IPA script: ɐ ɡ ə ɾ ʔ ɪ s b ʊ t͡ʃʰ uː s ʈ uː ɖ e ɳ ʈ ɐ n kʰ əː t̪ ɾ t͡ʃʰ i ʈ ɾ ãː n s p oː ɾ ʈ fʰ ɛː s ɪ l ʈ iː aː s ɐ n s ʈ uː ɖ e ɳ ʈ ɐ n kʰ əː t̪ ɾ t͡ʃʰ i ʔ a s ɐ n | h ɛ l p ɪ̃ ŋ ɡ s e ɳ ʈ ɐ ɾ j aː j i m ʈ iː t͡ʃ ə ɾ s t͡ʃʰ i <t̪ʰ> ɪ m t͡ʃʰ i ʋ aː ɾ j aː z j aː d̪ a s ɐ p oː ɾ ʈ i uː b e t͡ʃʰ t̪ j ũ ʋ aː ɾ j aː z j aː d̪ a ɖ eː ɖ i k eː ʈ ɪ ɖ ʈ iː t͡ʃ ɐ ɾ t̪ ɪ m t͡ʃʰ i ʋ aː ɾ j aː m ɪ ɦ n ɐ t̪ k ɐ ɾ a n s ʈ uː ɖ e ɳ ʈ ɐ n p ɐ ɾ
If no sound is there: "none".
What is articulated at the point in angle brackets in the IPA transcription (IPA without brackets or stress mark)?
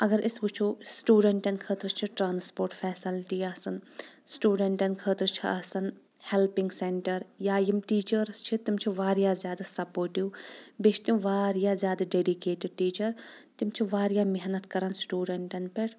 t̪